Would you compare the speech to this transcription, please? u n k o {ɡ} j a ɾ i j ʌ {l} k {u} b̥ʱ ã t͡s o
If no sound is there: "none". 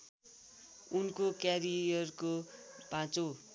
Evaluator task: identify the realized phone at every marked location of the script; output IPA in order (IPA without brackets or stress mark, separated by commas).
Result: k, r, o